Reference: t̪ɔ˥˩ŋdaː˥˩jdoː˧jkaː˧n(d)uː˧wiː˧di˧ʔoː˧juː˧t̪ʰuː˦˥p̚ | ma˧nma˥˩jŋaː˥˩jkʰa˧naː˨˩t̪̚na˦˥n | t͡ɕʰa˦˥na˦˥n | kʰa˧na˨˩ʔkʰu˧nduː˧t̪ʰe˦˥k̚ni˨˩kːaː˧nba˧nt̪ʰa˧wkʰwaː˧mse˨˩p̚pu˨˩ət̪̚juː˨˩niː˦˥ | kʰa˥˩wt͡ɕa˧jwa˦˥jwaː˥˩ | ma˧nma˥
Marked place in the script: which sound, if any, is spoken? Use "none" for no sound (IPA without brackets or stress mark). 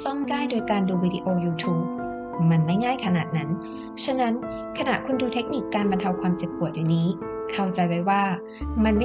d